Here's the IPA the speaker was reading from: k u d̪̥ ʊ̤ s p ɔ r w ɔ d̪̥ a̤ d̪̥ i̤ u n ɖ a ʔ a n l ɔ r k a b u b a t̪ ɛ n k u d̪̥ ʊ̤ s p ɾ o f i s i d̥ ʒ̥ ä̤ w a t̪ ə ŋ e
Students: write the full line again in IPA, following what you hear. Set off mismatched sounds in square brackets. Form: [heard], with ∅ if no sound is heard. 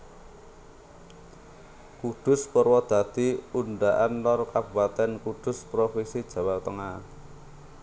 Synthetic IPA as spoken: k u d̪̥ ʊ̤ s p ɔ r w ɔ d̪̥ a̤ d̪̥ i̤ u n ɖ a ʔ a n l ɔ r k a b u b a t̪ ɛ n k u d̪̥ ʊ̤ s p ɾ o f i s i d̥ ʒ̥ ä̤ w a t̪ ə ŋ [a]